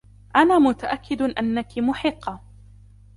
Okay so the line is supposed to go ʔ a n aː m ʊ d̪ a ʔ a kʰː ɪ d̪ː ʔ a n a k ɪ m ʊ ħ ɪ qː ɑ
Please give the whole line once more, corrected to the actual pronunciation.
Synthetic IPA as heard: ʔ a n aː m ʊ t̪ a ʔ a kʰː ɪ d̪ ʔ a nː a k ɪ m ʊ ħ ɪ qː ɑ